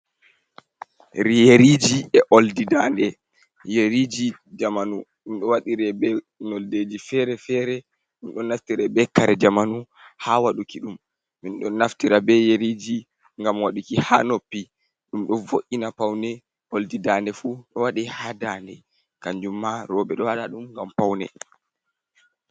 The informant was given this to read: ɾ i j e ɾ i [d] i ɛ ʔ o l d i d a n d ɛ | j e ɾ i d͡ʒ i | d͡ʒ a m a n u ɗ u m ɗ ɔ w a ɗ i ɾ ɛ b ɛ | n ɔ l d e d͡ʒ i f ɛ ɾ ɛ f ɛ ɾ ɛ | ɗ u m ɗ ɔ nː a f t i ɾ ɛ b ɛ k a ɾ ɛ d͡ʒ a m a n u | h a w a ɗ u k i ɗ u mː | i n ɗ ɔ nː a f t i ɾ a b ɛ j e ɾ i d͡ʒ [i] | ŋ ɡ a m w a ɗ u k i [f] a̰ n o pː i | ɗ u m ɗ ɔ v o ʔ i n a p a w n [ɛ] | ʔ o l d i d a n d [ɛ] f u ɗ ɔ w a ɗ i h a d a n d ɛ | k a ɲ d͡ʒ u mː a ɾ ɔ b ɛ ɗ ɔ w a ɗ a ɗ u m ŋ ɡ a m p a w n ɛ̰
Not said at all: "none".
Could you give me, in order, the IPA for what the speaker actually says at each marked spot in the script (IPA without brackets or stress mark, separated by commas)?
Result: d͡ʒ, i, h, ɛ, ɛ